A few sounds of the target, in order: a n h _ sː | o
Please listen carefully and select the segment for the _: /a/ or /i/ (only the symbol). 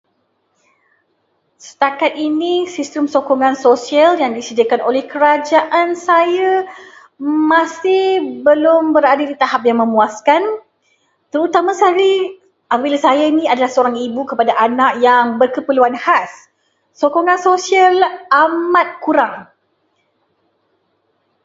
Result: a